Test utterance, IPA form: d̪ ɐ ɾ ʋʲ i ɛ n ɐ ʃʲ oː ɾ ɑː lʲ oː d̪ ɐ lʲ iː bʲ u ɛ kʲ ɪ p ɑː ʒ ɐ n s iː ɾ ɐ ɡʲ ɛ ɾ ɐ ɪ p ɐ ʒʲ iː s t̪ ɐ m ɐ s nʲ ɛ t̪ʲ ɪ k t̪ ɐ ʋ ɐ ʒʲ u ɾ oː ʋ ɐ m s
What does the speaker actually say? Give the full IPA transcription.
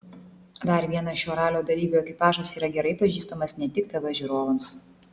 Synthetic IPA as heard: d̪ ɐ ɾ ʋʲ i ɛ n ɐ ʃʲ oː ɾ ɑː lʲ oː d̪ ɐ lʲ iː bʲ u ɛ kʲ ɪ p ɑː ʒ ɐ s iː ɾ ɐ ɡʲ ɛ ɾ ɐ ɪ p ɐ ʒʲ iː s t̪ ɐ m ɐ s nʲ ɛ t̪ʲ ɪ k t̪ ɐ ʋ ɐ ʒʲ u ɾ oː ʋ ɐ m s